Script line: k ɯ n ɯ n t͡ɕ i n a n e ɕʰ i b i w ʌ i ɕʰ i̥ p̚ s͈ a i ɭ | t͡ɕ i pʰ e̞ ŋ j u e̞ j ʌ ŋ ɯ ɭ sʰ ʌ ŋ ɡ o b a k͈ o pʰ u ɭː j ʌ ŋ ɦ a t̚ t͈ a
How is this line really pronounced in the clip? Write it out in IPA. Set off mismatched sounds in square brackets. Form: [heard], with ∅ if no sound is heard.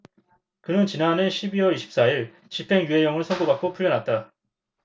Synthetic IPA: k ɯ n ɯ n t͡ɕ i n a n e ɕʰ i b i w ʌ i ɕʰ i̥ p̚ s͈ a i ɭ | t͡ɕ i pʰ e̞ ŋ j u e̞ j ʌ ŋ ɯ ɭ sʰ ʌ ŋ ɡ o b a k͈ o pʰ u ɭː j ʌ [n] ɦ a t̚ t͈ a